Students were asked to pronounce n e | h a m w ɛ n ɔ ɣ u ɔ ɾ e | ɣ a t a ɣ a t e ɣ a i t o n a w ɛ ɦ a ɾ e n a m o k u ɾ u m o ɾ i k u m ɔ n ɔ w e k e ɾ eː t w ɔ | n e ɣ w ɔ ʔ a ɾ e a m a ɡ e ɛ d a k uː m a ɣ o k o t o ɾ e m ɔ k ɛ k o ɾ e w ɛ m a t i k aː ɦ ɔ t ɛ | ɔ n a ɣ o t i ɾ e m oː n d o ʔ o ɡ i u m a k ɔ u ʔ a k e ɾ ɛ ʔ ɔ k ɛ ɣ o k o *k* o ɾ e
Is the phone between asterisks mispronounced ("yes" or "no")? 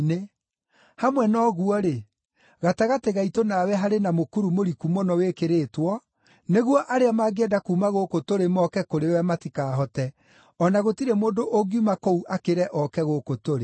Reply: yes